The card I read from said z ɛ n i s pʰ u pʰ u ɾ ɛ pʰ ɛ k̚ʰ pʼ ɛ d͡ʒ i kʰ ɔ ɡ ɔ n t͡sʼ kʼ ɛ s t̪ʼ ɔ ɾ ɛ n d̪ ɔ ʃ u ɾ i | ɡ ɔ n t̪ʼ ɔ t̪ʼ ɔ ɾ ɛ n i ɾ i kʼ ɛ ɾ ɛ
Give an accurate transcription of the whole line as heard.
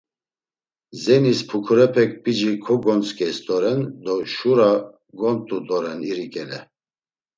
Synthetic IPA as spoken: z ɛ n i s pʰ u kʰ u ɾ ɛ pʰ ɛ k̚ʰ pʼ i d͡ʒ i kʰ ɔ ɡ ɔ n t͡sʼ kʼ ɛ s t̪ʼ ɔ ɾ ɛ n d̪ ɔ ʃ u ɾ a | ɡ ɔ n t̪ʼ u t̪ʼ ɔ ɾ ɛ n i ɾ i kʼ ɛ l ɛ